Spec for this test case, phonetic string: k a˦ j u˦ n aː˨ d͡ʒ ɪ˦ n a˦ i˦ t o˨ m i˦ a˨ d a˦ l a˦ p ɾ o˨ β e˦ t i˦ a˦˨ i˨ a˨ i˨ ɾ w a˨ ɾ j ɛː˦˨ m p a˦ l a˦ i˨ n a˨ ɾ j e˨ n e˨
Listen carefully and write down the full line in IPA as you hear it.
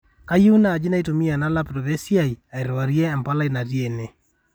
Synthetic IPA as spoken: k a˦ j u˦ n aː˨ d͡ʒ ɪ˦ n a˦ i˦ t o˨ m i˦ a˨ n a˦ l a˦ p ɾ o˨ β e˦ s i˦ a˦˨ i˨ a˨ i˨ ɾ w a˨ ɾ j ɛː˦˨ m p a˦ l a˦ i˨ n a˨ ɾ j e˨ n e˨